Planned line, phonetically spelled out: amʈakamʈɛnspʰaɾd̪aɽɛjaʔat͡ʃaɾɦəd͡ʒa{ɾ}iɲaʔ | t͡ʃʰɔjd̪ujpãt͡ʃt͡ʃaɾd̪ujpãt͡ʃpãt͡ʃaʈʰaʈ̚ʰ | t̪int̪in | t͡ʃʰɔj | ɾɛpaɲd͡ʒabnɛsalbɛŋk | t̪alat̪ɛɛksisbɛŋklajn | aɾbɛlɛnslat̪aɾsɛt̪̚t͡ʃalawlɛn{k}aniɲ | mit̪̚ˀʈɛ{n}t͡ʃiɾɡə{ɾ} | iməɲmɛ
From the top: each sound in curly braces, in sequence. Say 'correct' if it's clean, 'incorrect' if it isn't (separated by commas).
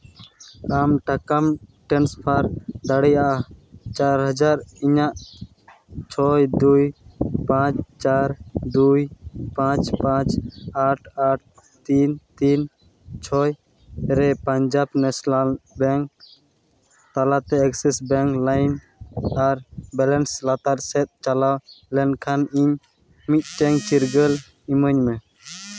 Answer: correct, incorrect, incorrect, incorrect